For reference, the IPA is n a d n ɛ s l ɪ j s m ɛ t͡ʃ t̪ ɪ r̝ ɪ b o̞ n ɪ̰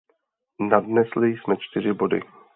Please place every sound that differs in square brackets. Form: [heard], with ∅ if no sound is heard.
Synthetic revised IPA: n a d n ɛ s l ɪ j s m ɛ t͡ʃ t̪ ɪ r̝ ɪ b o̞ [d] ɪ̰